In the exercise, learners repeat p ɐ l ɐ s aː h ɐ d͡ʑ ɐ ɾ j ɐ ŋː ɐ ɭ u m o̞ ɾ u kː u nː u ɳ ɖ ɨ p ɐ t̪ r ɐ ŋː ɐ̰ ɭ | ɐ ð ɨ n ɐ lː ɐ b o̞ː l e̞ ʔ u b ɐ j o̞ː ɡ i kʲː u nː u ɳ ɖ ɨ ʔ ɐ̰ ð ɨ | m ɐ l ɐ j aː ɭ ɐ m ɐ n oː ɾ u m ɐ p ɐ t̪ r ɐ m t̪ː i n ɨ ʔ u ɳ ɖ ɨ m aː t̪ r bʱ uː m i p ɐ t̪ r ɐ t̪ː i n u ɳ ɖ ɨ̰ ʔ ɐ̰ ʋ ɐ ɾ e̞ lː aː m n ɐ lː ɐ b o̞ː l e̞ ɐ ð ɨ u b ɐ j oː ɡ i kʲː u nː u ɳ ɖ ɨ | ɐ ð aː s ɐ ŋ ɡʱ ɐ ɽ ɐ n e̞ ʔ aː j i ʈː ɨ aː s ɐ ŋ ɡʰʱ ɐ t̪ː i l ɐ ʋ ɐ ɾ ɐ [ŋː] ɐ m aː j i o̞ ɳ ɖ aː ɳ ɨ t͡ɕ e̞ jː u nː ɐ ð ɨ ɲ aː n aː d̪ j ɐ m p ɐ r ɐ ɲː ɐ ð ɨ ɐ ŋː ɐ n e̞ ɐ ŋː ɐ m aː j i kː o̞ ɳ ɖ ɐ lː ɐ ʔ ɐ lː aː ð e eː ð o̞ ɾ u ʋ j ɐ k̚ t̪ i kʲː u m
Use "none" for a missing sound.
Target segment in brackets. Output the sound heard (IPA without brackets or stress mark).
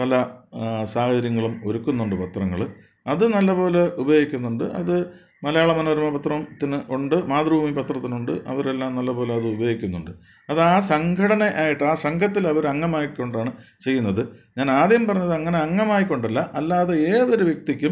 ŋː